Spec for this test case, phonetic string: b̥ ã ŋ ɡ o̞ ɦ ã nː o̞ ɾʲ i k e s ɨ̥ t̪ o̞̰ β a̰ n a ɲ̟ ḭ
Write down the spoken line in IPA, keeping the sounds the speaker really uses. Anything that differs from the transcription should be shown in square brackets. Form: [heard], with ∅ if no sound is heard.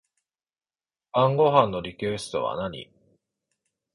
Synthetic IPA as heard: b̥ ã ŋ ɡ o̞ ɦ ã nː o̞ ɾʲ i k e s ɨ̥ t̪ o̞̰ β a̰ n a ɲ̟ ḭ